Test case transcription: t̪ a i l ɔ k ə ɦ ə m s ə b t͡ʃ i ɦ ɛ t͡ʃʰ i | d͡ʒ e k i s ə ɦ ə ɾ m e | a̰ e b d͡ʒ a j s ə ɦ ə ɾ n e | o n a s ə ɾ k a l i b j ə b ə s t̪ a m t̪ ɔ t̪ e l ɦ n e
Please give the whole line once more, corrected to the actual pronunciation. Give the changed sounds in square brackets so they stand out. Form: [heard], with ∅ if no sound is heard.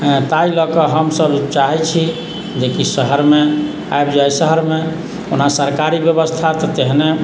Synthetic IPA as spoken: t̪ a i l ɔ k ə ɦ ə m s ə b t͡ʃ [a] ɦ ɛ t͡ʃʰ i | d͡ʒ e k i s ə ɦ ə ɾ m e | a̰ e b d͡ʒ a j s ə ɦ ə ɾ [m] e | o n a s ə ɾ k a [ɾ] i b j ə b ə s [t̪ʰ] a [∅] t̪ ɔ t̪ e [∅] ɦ n e